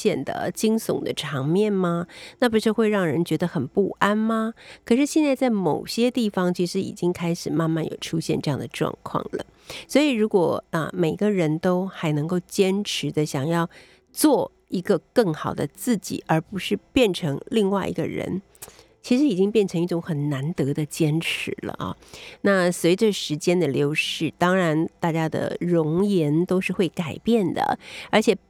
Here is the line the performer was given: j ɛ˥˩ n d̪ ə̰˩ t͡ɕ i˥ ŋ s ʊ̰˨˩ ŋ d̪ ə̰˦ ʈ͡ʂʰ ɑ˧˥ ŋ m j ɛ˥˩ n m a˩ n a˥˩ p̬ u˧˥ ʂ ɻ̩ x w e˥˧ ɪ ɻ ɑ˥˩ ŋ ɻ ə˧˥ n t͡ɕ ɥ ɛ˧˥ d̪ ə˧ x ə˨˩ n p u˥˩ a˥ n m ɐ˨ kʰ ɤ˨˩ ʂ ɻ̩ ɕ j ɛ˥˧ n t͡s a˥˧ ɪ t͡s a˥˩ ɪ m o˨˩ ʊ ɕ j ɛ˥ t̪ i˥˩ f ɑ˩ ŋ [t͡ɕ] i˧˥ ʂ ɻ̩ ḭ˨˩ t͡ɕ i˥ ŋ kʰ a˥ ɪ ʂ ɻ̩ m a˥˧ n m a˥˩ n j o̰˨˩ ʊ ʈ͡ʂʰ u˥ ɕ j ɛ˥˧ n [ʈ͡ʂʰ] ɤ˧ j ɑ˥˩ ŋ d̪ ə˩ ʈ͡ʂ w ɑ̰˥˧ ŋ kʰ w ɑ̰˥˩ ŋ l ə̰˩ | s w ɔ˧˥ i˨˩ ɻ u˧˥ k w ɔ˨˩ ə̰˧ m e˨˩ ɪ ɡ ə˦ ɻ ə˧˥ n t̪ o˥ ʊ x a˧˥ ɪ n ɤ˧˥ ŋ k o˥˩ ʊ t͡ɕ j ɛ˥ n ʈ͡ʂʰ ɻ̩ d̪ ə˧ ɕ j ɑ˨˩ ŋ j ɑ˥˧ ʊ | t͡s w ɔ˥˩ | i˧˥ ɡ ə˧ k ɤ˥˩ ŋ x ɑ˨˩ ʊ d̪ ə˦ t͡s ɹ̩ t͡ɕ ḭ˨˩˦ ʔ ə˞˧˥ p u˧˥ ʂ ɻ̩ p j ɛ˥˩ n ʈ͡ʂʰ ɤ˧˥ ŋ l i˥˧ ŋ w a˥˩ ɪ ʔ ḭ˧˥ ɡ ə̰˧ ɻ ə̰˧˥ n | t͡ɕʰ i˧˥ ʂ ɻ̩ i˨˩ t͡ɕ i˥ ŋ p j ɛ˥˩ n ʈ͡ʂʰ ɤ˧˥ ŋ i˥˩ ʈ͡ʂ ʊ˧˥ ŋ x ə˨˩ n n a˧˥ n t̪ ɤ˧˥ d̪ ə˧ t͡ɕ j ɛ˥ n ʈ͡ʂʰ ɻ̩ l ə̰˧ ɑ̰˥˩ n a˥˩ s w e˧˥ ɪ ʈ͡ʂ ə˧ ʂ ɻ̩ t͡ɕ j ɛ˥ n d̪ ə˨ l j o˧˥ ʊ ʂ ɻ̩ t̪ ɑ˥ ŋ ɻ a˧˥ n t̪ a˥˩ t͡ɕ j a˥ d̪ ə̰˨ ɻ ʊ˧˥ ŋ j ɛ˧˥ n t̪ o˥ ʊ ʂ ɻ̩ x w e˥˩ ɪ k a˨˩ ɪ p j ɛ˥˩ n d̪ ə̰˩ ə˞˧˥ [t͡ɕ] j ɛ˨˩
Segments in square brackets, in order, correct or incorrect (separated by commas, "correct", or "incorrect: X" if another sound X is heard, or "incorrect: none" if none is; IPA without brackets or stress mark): incorrect: t͡ɕʰ, incorrect: ʈ͡ʂ, incorrect: t͡ɕʰ